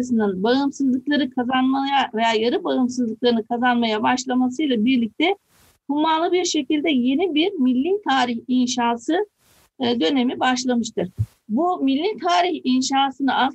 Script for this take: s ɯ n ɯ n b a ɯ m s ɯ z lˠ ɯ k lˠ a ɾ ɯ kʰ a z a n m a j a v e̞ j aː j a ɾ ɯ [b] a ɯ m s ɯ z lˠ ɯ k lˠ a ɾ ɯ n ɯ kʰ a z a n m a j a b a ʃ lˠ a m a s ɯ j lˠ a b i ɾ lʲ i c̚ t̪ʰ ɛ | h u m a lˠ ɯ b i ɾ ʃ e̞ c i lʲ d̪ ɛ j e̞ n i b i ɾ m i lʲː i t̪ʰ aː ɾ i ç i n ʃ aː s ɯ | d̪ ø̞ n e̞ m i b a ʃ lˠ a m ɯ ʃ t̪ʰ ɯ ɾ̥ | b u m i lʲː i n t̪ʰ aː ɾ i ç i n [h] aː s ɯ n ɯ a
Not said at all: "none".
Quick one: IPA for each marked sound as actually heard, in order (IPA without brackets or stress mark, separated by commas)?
b, ʃ